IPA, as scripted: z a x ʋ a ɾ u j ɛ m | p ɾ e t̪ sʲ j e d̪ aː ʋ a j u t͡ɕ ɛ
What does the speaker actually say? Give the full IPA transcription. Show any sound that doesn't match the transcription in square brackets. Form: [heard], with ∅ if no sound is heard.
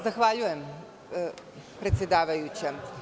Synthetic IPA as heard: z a x ʋ a [ʎ] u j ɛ m | p ɾ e t̪ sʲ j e d̪ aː ʋ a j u t͡ɕ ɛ